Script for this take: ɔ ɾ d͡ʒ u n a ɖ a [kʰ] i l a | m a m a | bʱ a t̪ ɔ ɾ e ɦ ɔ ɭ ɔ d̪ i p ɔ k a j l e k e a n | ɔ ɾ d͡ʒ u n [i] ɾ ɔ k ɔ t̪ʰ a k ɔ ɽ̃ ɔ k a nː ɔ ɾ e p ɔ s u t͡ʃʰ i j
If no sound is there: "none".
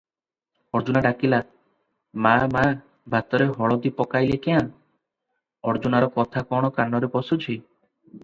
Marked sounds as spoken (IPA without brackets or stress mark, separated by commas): k, a